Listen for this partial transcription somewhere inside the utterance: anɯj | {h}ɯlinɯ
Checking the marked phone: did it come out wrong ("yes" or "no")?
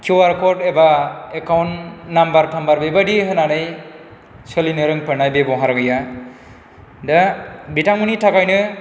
yes